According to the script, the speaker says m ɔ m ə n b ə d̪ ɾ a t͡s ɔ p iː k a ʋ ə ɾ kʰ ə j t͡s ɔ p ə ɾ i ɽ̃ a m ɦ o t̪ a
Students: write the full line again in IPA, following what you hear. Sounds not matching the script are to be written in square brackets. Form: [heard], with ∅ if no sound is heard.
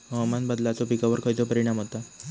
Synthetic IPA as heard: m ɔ m [a] n b ə d̪ [l] a t͡s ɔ p [i] k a ʋ ə ɾ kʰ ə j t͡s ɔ p ə ɾ i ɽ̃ a m ɦ o t̪ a

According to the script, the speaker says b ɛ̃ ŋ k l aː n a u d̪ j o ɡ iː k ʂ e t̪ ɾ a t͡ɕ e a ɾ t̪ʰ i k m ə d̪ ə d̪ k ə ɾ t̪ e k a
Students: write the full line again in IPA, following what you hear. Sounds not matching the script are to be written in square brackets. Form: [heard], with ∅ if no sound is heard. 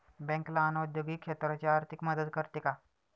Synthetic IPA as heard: b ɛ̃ ŋ k l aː n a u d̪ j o ɡ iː k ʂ e t̪ ɾ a t͡ɕ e a ɾ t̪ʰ i k m ə d̪ ə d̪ k ə ɾ t̪ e k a

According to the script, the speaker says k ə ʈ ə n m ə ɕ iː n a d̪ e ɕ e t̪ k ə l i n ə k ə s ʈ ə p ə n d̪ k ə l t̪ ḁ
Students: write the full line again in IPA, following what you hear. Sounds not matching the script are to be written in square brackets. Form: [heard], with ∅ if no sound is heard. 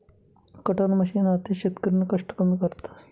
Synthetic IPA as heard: k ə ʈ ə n m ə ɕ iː n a [t̪] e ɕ e t̪ k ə [ɾ] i n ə k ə [ʂ] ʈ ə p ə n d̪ k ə [ɾ] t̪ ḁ

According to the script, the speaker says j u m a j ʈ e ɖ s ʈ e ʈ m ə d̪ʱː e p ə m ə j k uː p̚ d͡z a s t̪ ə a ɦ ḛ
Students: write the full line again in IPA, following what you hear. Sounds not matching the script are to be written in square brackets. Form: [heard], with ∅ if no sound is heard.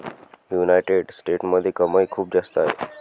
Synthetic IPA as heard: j u [n] a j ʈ e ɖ s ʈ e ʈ m ə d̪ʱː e [k] ə m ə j [kʰ] uː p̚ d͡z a s t̪ ə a ɦ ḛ

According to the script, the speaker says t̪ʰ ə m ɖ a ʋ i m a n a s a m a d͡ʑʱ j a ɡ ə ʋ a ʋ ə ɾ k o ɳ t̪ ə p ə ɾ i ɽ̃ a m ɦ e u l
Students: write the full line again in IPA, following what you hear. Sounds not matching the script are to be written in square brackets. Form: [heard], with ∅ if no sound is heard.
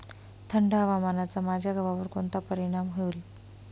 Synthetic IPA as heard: t̪ʰ ə [ɳ] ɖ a ʋ [a] m a n a [t͡s] a m a d͡ʑʱ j a ɡ ə ʋ a ʋ ə ɾ k o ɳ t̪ [a] p ə ɾ i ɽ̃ a m ɦ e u l

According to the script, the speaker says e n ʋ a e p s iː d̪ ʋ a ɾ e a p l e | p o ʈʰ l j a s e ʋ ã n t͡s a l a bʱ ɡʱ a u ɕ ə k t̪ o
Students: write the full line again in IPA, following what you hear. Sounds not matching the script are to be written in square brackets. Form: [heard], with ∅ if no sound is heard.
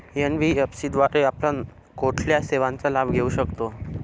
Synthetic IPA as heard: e n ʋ [i] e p s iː d̪ ʋ a ɾ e a p l [a] | [k] o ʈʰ l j a s e ʋ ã n t͡s a l a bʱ ɡʱ [e] u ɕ ə k t̪ o

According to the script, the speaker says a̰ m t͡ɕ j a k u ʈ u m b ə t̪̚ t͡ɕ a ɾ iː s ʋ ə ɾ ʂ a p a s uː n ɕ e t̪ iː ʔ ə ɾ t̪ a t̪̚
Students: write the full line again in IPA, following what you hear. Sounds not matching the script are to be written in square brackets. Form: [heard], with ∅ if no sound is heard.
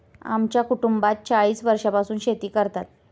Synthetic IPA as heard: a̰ m t͡ɕ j a k u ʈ u m b [a] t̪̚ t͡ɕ a [ɭ] iː s ʋ ə ɾ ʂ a p a s uː n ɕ e t̪ iː [k] ə ɾ t̪ a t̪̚

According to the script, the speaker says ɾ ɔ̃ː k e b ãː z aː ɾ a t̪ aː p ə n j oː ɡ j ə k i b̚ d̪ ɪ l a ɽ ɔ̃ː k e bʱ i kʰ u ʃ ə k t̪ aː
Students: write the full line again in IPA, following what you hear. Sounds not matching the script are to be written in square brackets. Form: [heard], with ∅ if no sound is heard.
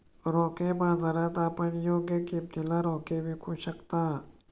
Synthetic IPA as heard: ɾ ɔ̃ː k e b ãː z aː ɾ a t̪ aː p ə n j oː ɡ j ə k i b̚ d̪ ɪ l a [ɾ] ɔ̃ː k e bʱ i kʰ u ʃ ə k t̪ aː

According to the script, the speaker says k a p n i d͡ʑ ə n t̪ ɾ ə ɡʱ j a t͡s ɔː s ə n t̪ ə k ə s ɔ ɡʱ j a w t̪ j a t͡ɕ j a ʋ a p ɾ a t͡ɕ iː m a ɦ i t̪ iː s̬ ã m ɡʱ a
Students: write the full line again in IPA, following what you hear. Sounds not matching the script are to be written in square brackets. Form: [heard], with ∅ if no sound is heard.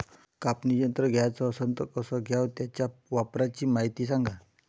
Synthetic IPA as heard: k a p n i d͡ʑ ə n t̪ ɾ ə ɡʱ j a t͡s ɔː s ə n t̪ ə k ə s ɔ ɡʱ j a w t̪ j a t͡ɕ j a ʋ a p ɾ a t͡ɕ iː m a ɦ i t̪ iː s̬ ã [ŋ] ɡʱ a

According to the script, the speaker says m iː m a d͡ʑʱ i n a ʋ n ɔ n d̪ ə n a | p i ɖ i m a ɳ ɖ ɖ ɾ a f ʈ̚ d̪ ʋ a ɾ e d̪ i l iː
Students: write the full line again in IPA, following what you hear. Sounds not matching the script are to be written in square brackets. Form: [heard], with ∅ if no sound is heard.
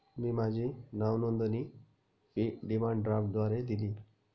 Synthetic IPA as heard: m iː m a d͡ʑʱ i n a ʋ n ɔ n d̪ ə n [i] | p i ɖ i m a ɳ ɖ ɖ ɾ a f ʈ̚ d̪ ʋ a ɾ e d̪ i l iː

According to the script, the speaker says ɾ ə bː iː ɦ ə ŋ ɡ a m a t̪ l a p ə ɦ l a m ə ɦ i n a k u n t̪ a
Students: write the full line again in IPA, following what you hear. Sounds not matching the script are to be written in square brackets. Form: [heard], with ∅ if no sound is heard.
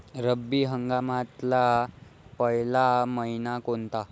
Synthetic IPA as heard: ɾ ə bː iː ɦ ə ŋ ɡ a m a t̪ l a p ə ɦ l a m ə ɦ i n a k [o] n t̪ a

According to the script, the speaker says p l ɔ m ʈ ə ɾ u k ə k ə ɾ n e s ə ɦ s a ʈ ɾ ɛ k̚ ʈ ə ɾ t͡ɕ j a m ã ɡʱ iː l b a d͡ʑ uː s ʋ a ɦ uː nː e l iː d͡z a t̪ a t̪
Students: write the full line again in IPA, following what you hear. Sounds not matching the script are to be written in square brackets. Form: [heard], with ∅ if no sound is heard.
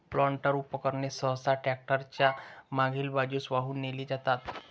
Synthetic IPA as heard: p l ɔ [ɳ] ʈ ə ɾ u [p] ə k ə ɾ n e s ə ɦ s a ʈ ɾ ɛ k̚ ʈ ə ɾ t͡ɕ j a m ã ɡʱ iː l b a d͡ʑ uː s ʋ a ɦ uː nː e l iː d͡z a t̪ a t̪

